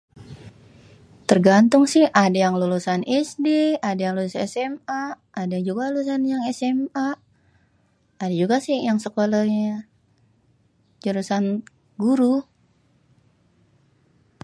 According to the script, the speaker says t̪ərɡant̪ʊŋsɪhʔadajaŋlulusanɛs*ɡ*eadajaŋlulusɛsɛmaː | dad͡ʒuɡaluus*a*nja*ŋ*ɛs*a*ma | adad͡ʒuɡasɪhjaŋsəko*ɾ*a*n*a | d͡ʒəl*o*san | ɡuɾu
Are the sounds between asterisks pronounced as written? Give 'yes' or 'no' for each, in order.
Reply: no, yes, yes, no, no, no, no

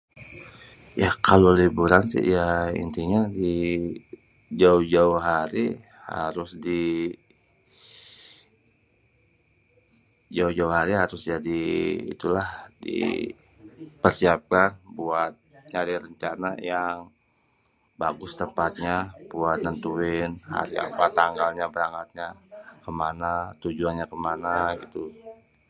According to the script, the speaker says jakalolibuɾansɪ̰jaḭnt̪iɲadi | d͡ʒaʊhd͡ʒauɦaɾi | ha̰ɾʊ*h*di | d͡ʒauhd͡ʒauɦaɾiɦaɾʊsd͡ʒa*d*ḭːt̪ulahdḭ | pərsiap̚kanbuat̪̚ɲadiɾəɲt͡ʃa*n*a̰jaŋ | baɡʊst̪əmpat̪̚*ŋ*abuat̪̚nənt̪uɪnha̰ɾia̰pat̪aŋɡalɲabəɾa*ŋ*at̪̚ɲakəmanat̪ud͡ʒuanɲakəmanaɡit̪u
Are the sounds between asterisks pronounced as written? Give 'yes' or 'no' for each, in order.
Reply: no, yes, yes, no, yes

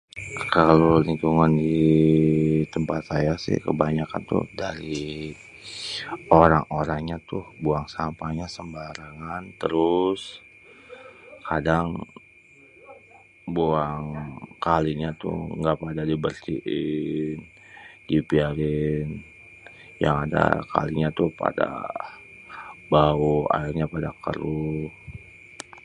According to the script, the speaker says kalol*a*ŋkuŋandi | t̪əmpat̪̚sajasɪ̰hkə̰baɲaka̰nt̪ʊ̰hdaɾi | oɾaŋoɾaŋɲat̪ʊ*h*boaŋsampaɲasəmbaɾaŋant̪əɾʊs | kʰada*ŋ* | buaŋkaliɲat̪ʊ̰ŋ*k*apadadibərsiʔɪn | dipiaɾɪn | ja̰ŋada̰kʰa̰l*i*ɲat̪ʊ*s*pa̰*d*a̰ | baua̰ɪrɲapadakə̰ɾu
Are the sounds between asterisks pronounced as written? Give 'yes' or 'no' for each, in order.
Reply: no, yes, yes, no, yes, no, yes

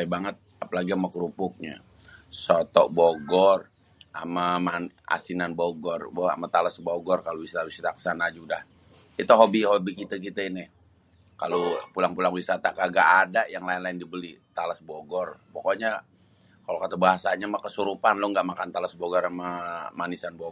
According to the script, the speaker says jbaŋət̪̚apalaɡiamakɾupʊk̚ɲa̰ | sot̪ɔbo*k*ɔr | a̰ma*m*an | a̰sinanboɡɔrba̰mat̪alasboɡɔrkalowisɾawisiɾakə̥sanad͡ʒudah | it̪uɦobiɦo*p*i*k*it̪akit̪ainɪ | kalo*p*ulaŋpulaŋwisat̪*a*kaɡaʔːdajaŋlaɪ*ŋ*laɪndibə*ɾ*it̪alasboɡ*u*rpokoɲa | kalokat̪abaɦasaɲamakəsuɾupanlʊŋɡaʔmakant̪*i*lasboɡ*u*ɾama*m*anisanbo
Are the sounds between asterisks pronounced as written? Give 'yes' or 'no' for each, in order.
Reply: no, yes, no, yes, yes, yes, no, no, no, no, no, yes

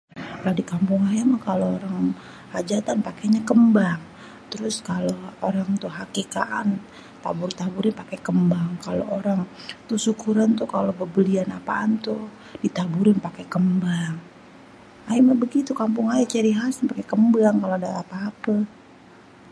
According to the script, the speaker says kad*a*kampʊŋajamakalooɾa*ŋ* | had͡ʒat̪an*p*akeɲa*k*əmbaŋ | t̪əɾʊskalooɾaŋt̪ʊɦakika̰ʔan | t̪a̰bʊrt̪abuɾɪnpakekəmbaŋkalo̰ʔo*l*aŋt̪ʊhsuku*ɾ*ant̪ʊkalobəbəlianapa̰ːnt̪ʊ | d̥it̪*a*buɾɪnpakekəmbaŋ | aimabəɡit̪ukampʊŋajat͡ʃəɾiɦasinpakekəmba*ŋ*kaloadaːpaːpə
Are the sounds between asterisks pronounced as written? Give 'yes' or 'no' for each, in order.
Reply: no, yes, yes, yes, no, yes, yes, yes

